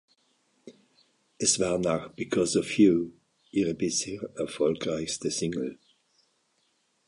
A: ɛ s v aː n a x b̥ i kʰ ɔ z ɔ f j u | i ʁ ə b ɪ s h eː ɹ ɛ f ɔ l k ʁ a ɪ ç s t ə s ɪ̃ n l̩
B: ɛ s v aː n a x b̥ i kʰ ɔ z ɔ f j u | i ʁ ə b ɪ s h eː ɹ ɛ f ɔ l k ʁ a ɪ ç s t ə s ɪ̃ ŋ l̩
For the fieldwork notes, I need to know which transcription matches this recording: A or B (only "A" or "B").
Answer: B